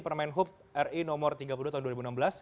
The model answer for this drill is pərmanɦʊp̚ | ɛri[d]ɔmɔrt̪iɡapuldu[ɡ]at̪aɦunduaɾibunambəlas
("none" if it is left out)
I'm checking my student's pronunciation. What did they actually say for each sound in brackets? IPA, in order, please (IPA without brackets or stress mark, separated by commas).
n, none